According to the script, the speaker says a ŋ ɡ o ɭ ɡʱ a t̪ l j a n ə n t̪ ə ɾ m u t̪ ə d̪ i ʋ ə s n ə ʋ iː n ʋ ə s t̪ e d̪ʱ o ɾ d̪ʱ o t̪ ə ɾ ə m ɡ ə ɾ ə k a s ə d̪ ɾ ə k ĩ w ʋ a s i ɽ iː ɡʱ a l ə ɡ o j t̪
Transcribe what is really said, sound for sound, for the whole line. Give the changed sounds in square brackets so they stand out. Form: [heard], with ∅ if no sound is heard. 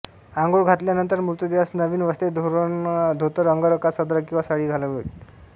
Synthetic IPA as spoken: a ŋ ɡ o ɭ ɡʱ a t̪ l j a n ə n t̪ ə ɾ m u t̪ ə d̪ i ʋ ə s n ə ʋ iː n ʋ ə s t̪ e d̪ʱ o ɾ d̪ʱ o t̪ ə ɾ ə [ŋ] ɡ ə ɾ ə k a s ə d̪ ɾ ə k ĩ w ʋ a s [a] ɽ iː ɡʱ a l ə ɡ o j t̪